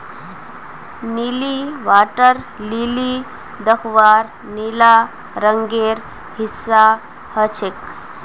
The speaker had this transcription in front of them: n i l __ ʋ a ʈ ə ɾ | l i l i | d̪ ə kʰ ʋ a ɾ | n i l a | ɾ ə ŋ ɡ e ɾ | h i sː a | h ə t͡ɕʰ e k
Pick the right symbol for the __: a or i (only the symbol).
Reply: i